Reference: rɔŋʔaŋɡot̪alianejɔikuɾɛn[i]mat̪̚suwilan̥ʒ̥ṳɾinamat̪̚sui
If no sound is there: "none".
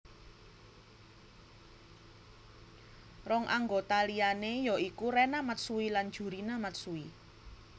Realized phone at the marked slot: a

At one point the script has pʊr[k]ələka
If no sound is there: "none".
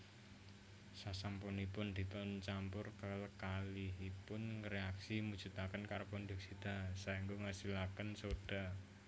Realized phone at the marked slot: k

